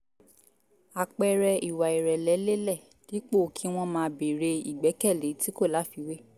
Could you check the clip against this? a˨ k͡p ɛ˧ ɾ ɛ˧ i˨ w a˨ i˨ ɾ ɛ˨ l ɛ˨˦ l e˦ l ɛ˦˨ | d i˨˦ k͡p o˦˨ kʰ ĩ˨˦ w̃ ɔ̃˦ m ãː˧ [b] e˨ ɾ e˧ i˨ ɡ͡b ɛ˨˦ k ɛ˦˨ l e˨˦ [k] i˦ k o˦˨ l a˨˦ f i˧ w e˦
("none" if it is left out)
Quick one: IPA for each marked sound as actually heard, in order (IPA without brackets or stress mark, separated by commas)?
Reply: b, t